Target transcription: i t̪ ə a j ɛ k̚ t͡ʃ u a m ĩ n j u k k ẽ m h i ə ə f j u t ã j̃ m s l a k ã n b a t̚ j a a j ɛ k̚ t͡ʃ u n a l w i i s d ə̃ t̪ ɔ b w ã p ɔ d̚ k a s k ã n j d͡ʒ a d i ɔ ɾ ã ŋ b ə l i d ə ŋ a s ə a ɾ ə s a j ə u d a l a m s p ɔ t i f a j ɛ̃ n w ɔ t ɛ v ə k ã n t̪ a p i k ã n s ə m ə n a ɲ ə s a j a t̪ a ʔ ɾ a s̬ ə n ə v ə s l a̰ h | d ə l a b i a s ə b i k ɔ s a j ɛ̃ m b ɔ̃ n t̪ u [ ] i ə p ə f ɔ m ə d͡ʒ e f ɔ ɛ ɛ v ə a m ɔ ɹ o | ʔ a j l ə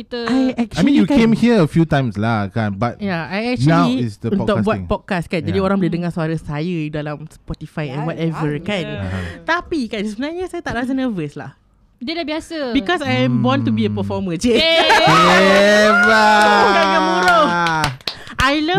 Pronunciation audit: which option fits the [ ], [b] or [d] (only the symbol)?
b